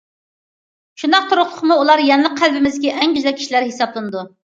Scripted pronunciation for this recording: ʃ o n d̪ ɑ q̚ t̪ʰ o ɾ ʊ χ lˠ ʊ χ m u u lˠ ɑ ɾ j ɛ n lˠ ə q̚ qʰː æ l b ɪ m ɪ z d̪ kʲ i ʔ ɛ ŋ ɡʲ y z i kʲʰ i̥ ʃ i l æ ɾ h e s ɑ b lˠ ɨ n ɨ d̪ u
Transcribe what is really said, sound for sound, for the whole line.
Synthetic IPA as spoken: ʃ u n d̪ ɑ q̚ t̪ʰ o ɾ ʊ χ lˠ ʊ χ m u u lˠ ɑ ɾ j ɛ n lˠ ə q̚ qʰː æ l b ɪ m ɪ z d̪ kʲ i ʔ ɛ ŋ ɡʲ y z ɛ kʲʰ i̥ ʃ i l æ ɾ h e s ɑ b lˠ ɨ n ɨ d̪ u